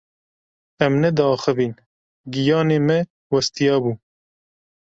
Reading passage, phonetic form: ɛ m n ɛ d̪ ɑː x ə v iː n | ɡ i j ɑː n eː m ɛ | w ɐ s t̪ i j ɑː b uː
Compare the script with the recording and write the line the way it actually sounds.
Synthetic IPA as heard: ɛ m n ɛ d̪ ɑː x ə v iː n | ɡ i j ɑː n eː m ɛ | w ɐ s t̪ i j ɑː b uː